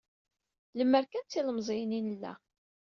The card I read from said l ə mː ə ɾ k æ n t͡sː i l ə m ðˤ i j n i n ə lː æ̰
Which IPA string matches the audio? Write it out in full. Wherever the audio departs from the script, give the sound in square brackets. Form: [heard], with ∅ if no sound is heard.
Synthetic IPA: l ə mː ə ɾ k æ n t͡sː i l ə m [zˤ] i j n i n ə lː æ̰